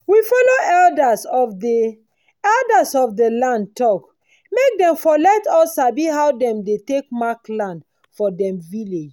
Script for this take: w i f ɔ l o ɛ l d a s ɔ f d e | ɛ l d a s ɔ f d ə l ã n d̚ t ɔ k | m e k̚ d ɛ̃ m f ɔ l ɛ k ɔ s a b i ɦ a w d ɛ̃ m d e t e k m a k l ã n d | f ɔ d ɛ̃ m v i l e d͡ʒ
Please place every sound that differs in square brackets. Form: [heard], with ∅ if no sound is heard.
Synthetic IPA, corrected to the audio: w i f ɔ l o ɛ l d a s ɔ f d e | ɛ l d a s ɔ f d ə l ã n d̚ t ɔ k | m e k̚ d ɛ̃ m f ɔ l ɛ [t] ɔ s a b i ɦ a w d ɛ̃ m d e t e k m a k l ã n d | f ɔ d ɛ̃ m v i l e d͡ʒ